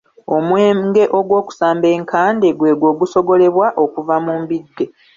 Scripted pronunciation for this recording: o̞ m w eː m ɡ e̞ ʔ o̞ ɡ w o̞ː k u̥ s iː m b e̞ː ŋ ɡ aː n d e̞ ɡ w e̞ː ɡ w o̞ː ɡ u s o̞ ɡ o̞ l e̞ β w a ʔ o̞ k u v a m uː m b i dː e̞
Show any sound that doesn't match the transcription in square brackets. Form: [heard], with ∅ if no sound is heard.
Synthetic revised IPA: o̞ m w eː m ɡ e̞ ʔ o̞ ɡ w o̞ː k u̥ s [aː] m b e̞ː ŋ [k] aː n d e̞ ɡ w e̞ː ɡ w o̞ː ɡ u s o̞ ɡ o̞ l e̞ β w a ʔ o̞ k u v a m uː m b i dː e̞